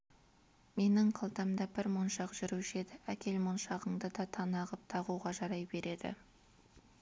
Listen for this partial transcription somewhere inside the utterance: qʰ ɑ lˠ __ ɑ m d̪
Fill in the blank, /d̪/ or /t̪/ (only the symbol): t̪